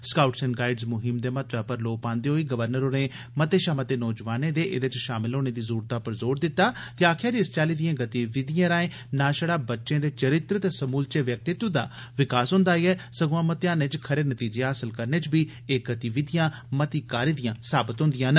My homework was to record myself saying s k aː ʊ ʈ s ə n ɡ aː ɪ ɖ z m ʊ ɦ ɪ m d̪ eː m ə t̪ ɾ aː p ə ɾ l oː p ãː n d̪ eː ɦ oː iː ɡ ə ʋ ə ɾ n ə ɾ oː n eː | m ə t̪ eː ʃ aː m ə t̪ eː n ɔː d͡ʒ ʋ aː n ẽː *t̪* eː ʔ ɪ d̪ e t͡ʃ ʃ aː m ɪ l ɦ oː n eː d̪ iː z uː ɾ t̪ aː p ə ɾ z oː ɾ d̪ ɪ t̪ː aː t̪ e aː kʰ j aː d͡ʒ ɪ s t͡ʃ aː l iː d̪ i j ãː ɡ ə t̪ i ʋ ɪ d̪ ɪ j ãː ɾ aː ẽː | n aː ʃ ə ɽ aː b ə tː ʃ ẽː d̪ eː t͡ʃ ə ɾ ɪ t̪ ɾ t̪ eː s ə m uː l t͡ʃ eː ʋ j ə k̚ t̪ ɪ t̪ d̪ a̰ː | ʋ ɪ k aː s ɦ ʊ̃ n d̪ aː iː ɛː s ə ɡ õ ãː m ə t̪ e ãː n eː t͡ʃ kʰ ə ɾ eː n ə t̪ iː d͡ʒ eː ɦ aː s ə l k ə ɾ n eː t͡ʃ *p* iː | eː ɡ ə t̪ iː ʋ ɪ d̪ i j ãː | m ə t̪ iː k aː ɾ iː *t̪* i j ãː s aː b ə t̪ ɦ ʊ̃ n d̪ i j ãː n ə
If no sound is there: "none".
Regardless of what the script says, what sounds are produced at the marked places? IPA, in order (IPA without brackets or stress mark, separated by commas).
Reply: d̪, b, d̪